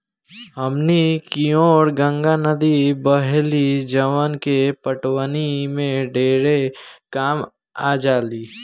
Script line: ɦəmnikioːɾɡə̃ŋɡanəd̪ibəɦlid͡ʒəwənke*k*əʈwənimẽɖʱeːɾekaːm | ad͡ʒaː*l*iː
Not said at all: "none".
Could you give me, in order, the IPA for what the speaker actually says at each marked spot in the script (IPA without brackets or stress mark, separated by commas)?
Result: p, l